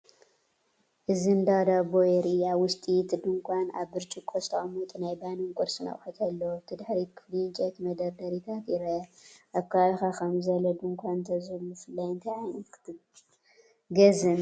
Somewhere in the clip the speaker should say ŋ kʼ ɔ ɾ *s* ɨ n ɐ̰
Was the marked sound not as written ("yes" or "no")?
no